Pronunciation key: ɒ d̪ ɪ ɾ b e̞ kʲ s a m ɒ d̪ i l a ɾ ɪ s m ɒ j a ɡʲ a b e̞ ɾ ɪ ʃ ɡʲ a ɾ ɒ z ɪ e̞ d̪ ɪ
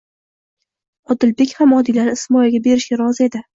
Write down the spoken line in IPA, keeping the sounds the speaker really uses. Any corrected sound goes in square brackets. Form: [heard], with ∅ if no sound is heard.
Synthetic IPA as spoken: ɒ d̪ ɪ [l] b e̞ kʲ [h] a m ɒ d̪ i l a ɾ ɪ s m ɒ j a ɡʲ a b e̞ ɾ ɪ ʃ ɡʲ a ɾ ɒ z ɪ e̞ d̪ ɪ